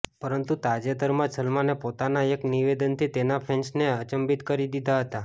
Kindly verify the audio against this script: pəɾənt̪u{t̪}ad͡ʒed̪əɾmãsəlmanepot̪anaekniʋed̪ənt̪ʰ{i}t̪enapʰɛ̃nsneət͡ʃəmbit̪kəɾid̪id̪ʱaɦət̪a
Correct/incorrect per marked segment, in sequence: correct, correct

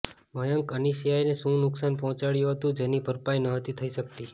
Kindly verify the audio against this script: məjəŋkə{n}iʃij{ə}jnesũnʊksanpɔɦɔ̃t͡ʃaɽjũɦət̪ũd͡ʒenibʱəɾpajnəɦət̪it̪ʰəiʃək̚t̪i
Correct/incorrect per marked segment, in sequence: correct, incorrect: a

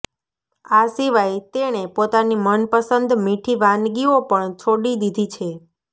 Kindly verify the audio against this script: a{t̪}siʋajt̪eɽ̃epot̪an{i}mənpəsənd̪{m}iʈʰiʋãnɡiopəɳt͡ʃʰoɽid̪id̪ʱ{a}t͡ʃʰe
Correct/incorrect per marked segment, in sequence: incorrect: none, correct, correct, incorrect: i

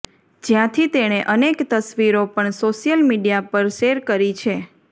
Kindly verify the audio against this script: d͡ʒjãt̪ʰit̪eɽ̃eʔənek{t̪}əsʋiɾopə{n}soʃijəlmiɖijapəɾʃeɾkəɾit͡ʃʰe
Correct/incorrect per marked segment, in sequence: correct, incorrect: ɳ

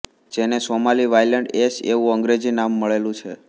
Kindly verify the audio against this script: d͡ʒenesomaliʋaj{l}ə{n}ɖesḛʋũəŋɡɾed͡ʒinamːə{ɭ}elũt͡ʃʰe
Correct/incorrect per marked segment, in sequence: correct, incorrect: ɳ, correct

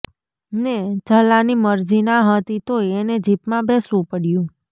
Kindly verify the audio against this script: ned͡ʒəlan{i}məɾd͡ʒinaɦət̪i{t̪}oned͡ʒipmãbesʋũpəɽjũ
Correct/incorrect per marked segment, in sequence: correct, correct

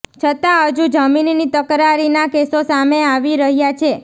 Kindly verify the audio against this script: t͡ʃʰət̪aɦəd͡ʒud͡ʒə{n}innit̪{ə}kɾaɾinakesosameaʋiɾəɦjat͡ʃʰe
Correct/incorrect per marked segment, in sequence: incorrect: m, correct

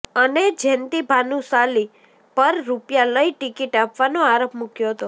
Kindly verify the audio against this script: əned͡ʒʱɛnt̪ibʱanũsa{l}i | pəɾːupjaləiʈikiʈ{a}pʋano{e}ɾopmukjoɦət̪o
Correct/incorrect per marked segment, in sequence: correct, correct, incorrect: a

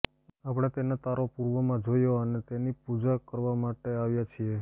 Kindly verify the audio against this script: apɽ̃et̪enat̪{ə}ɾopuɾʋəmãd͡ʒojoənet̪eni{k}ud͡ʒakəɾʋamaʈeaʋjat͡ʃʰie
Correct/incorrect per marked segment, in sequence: incorrect: a, incorrect: p

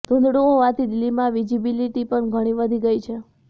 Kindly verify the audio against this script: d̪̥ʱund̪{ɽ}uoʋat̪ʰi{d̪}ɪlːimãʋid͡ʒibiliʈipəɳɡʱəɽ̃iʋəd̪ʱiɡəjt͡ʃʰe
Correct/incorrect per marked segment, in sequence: correct, correct

